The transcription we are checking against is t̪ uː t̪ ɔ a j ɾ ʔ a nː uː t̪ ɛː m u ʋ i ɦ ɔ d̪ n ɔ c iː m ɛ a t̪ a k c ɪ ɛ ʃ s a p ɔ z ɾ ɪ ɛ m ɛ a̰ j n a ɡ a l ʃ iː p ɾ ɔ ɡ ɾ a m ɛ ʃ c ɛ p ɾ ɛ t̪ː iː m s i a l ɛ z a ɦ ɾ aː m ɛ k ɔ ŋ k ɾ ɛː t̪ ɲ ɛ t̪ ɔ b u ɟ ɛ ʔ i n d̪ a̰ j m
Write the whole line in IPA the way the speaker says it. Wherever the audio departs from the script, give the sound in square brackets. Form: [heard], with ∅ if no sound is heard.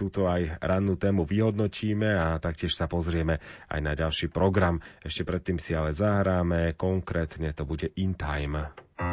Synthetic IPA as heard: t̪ uː t̪ ɔ a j ɾ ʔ a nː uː t̪ ɛː m u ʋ i ɦ ɔ d̪ n ɔ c iː m ɛ a t̪ a k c ɪ ɛ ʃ s a p ɔ z ɾ ɪ ɛ m ɛ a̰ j n a [ɟ] a l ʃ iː p ɾ ɔ ɡ ɾ a m ɛ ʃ c ɛ p ɾ ɛ t̪ː iː m s i a l ɛ z a ɦ ɾ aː m ɛ k ɔ ŋ k ɾ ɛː t̪ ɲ ɛ t̪ ɔ b u ɟ ɛ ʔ i n [t̪] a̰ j m